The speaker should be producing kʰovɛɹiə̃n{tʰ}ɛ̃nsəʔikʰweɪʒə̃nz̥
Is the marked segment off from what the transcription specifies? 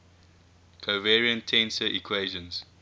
no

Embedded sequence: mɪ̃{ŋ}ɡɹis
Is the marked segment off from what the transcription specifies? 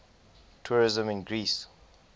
yes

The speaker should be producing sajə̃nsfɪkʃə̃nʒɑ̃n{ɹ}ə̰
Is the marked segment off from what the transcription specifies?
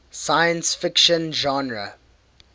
no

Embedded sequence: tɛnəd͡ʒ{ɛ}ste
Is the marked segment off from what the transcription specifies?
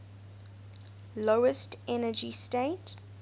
yes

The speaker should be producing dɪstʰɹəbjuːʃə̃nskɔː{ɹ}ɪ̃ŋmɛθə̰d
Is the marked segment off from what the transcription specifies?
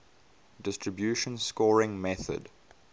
no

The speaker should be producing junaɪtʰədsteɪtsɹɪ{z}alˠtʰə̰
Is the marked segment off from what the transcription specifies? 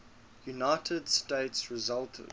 no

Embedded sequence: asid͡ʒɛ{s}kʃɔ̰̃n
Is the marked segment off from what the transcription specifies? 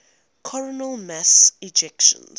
yes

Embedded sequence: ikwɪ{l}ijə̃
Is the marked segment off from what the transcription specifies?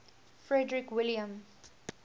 no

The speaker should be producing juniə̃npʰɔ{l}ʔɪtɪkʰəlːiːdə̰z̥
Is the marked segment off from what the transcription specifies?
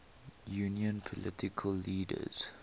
no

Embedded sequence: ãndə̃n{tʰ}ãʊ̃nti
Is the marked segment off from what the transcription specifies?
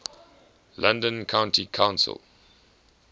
yes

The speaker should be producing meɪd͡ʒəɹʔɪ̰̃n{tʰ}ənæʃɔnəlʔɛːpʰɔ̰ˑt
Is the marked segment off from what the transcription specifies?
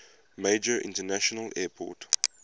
yes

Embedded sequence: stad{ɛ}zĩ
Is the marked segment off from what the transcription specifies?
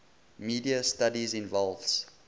yes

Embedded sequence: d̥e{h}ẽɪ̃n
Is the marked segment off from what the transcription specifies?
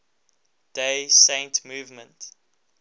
yes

